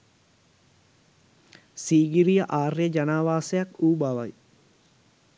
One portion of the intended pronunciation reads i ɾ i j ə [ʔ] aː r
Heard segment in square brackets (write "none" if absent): ʔ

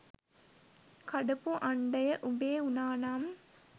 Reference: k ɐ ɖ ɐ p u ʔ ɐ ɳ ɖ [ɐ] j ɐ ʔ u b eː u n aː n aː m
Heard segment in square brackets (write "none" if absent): ɐ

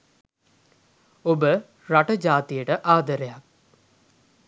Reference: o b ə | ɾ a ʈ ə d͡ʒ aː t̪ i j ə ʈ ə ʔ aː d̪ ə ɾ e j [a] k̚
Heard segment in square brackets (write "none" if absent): a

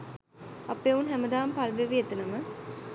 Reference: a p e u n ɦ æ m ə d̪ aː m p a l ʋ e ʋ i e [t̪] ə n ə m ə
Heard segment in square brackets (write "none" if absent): t̪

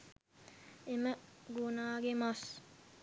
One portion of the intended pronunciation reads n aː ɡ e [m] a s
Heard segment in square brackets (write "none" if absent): m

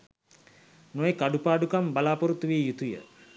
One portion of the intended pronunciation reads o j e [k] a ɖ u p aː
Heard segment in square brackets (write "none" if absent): k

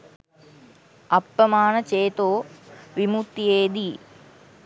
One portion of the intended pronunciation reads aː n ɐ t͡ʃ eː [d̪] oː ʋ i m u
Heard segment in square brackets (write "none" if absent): t̪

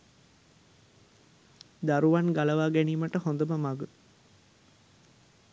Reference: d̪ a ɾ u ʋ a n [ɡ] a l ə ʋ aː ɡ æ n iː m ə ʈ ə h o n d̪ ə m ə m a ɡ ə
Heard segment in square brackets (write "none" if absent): ɡ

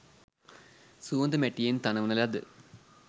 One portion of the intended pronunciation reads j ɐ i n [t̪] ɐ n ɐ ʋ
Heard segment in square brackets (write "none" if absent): t̪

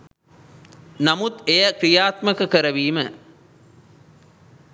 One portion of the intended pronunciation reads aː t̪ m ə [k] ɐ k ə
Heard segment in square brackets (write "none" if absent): k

